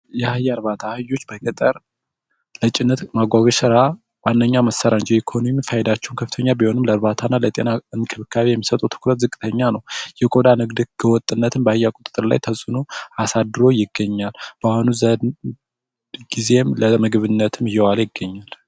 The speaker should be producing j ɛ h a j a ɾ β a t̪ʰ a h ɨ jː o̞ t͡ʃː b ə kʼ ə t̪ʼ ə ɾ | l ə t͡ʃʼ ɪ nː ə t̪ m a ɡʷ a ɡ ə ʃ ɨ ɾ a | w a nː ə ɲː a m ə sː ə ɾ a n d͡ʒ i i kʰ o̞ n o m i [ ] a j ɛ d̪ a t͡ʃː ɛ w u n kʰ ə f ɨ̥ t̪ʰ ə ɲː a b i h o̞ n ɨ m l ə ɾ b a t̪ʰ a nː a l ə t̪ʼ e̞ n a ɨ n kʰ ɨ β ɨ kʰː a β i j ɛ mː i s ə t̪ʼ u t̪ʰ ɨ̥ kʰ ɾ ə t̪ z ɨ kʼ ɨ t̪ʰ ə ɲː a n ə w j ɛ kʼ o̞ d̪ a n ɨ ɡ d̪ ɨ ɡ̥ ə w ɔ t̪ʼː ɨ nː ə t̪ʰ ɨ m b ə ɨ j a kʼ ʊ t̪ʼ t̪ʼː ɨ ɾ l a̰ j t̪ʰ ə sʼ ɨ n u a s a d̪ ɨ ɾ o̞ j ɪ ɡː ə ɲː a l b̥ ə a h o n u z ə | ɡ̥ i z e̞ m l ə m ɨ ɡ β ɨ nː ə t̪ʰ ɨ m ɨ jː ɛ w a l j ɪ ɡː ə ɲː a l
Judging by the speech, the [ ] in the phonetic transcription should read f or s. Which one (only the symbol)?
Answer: f